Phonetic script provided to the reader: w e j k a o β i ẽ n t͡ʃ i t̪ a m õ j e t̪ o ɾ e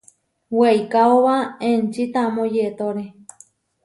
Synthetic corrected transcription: w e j k a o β a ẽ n t͡ʃ i t̪ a m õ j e t̪ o ɾ e